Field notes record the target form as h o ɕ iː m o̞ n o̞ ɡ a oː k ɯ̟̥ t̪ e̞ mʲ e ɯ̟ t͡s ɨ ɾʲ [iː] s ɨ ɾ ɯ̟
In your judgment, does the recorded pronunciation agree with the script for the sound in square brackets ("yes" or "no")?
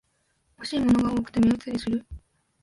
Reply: no